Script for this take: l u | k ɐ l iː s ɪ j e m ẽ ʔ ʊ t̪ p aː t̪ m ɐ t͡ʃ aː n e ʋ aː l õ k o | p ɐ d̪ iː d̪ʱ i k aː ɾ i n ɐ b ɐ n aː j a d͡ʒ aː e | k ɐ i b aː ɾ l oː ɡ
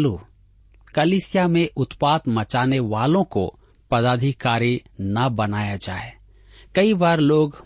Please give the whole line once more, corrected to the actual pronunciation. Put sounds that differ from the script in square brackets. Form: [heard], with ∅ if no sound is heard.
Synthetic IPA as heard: l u | k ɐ l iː s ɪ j [a] m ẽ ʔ ʊ t̪ p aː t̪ m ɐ t͡ʃ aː n e ʋ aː l õ k o | p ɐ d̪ [aː] d̪ʱ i k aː ɾ i n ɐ b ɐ n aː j a d͡ʒ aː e | k ɐ i b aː ɾ l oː ɡ